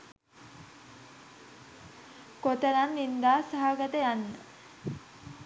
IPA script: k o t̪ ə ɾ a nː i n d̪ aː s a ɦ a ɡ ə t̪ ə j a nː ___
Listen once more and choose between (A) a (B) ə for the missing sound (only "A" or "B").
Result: B